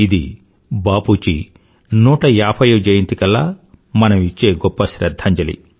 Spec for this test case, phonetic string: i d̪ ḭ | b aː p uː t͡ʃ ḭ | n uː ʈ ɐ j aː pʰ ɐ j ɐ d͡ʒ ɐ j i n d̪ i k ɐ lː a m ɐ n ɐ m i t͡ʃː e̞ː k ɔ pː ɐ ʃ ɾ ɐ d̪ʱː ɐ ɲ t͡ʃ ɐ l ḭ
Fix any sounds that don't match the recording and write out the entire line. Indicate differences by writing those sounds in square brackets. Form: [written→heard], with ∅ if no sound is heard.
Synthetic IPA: i d̪ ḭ | b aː p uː t͡ʃ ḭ | n uː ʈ ɐ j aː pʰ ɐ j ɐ d͡ʒ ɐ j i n [d̪→t̪] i k ɐ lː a m ɐ n ɐ m i t͡ʃː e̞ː [k→ɡ] ɔ pː ɐ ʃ ɾ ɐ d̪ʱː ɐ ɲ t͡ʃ ɐ l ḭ

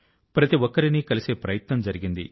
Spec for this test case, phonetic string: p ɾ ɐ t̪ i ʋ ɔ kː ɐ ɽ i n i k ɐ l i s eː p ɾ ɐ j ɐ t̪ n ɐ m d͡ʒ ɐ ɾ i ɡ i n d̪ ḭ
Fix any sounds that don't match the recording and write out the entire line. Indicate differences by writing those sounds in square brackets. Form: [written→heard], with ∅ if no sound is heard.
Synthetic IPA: p ɾ ɐ t̪ i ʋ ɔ kː ɐ [ɽ→ɾ] i n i k ɐ l i s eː p ɾ ɐ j ɐ t̪ n ɐ m d͡ʒ ɐ ɾ i ɡ i n d̪ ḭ

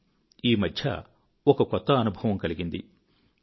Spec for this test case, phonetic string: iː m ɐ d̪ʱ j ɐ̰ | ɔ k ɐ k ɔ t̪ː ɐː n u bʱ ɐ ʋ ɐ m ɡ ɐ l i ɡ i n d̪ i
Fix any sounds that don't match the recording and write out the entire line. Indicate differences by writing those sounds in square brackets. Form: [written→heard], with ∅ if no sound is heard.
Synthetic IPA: iː m ɐ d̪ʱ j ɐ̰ | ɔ k ɐ k ɔ t̪ː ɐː n u bʱ ɐ ʋ ɐ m [ɡ→k] ɐ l i ɡ i n d̪ i

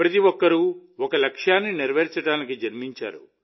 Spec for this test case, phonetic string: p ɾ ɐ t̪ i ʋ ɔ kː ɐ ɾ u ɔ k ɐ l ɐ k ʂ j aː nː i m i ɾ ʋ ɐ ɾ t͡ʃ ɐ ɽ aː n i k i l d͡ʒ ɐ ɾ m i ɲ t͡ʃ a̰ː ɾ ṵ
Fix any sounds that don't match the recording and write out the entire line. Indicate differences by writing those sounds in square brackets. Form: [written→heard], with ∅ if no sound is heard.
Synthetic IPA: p ɾ ɐ t̪ i ʋ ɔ kː ɐ ɾ u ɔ k ɐ l ɐ k ʂ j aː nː i [m→n] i ɾ ʋ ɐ ɾ t͡ʃ ɐ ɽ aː n i k i [l→∅] d͡ʒ ɐ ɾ m i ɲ t͡ʃ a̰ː ɾ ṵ

